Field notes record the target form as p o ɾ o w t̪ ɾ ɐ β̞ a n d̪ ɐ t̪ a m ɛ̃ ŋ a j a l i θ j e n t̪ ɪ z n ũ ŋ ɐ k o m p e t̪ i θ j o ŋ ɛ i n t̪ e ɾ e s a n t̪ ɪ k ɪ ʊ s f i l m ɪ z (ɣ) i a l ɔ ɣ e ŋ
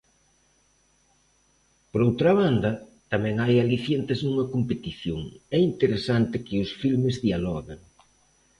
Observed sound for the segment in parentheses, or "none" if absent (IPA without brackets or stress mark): ð